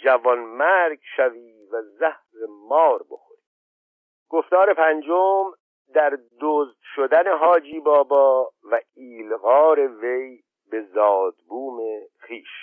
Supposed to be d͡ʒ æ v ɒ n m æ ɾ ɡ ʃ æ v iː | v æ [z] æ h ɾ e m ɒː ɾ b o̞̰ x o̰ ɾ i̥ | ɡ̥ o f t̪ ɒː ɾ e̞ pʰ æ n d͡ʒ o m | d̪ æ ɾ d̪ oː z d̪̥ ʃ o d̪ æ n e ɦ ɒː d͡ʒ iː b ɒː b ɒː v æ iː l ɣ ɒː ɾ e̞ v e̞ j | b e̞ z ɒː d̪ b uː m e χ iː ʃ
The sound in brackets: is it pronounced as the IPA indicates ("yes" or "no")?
yes